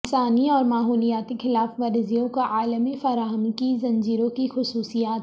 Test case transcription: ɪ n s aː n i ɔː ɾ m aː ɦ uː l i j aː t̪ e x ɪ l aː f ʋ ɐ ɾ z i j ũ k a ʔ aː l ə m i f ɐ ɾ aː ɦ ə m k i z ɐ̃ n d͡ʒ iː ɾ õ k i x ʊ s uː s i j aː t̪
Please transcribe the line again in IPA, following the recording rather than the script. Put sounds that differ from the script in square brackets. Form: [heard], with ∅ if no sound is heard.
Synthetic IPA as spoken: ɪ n s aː n i ɔː ɾ m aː ɦ uː l i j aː t̪ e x ɪ l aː f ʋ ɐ ɾ z i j [õ] k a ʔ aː l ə m i f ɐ ɾ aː ɦ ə m k i z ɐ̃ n d͡ʒ iː ɾ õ k i x ʊ s uː s i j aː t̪